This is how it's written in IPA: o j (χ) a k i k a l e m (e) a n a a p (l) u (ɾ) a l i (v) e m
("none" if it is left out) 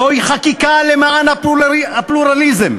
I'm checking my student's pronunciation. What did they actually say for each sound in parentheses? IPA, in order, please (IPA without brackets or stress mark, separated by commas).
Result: χ, a, l, ɾ, z